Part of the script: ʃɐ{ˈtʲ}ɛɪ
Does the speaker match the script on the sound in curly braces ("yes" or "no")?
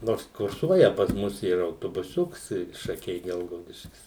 no